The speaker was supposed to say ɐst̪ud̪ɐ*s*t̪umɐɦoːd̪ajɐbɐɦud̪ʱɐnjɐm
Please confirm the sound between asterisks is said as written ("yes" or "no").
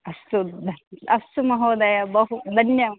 yes